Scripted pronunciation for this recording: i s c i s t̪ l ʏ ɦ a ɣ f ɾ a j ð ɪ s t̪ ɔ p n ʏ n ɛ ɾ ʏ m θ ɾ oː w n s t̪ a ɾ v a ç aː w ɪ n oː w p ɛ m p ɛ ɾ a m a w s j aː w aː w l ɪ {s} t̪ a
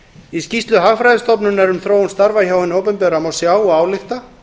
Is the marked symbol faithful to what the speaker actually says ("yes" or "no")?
no